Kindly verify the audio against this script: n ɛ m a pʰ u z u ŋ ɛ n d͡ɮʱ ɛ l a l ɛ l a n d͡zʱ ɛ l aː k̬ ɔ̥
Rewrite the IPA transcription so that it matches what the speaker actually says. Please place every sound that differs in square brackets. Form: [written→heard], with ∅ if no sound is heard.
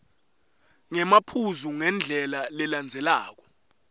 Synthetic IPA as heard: [n→ŋ] ɛ m a pʰ u z u ŋ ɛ n d͡ɮʱ ɛ l a l ɛ l a n d͡zʱ ɛ l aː k̬ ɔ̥